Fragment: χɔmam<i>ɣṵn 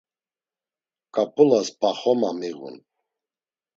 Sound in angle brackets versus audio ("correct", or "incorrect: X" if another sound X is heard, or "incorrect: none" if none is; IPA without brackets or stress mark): correct